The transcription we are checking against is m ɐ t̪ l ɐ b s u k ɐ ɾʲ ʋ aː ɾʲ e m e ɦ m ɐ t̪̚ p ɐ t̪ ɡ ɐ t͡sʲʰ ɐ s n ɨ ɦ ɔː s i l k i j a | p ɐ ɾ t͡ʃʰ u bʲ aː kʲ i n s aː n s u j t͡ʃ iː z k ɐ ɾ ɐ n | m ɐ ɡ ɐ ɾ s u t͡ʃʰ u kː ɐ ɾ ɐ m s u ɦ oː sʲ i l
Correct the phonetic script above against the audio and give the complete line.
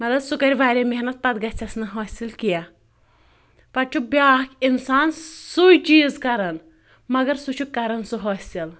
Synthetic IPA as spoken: m ɐ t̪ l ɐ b s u k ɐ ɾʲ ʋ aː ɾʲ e m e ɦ n ɐ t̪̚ p ɐ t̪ ɡ ɐ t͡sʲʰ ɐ s n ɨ ɦ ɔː s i l k i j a | p ɐ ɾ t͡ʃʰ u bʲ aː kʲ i n s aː n s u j t͡ʃ iː z k ɐ ɾ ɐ n | m ɐ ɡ ɐ ɾ s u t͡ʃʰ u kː ɐ ɾ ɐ n s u ɦ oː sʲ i l